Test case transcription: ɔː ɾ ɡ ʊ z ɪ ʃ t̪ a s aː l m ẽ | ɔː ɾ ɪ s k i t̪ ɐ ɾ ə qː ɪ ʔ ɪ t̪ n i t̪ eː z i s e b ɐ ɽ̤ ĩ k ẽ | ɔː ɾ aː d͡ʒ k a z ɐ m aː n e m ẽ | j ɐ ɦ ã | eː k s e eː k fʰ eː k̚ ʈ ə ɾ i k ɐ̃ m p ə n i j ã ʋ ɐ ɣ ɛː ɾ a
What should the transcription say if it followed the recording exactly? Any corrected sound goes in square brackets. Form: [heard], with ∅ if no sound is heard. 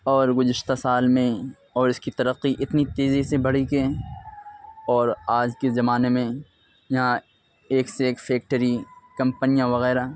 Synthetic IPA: ɔː ɾ ɡ ʊ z ɪ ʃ t̪ a s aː l m ẽ | ɔː ɾ ɪ s k i t̪ ɐ ɾ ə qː [i] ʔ ɪ t̪ n i t̪ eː z i s e b ɐ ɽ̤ [i] k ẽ | ɔː ɾ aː d͡ʒ k [e] z ɐ m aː n e m ẽ | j ɐ ɦ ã | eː k s e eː k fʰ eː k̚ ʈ ə ɾ i k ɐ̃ m p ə n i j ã ʋ ɐ ɣ ɛː ɾ a